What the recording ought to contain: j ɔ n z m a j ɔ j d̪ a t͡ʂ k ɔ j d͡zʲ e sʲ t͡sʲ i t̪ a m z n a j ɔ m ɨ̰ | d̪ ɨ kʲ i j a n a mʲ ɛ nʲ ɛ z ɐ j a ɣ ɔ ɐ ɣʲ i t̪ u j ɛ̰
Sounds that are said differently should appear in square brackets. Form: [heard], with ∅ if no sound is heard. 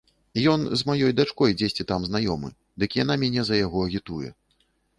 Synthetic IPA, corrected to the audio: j ɔ n z m a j ɔ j d̪ a t͡ʂ k ɔ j d͡zʲ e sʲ t͡sʲ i t̪ a m z n a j ɔ m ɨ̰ | d̪ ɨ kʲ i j a n a mʲ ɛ nʲ ɛ z ɐ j a ɣ ɔ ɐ ɣʲ i t̪ u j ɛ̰